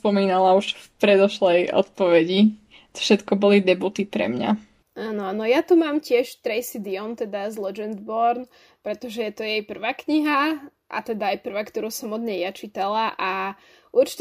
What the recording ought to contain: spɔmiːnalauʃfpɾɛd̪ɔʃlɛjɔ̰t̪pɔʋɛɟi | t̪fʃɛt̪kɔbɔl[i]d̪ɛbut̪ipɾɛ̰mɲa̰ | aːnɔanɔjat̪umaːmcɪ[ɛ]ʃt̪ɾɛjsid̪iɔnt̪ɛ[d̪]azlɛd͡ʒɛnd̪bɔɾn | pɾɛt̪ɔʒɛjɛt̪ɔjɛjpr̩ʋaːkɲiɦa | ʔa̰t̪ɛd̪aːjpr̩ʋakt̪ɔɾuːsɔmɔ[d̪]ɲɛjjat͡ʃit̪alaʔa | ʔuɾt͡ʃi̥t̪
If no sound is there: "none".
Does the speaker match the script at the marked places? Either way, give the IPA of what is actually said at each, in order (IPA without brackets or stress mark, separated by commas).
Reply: i, ɛ, d̪, d̪